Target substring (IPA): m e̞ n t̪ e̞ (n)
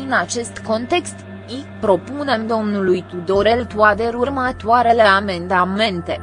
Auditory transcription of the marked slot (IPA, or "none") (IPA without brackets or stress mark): none